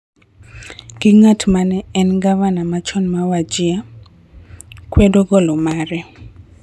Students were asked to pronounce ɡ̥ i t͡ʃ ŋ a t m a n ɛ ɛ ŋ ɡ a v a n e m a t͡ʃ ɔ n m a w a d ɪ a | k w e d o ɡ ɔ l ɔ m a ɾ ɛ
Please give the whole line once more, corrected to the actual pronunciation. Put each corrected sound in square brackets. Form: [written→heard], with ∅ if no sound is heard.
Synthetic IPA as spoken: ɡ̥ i [t͡ʃ→∅] ŋ a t m a n ɛ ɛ [ŋ→n] ɡ a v a n [e→a] m a t͡ʃ ɔ n m a w a [d→d͡ʒ] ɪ a | k w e d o ɡ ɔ l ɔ m a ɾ ɛ